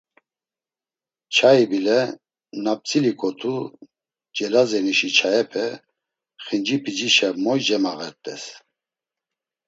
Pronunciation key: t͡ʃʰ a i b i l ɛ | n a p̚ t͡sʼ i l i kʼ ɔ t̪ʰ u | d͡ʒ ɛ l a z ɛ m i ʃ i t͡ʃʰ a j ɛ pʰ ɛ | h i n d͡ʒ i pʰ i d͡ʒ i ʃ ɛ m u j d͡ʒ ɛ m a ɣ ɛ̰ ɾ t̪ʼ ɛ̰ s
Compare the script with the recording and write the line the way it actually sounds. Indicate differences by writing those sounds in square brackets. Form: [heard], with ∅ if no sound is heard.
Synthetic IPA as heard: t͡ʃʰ a i b i l ɛ | n a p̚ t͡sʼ i l i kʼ ɔ t̪ʰ u | d͡ʒ ɛ l a z ɛ [n] i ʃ i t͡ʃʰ a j ɛ pʰ ɛ | [χ] i n d͡ʒ i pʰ i d͡ʒ i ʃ ɛ m [ɔ] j d͡ʒ ɛ m a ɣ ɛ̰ ɾ t̪ʼ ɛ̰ s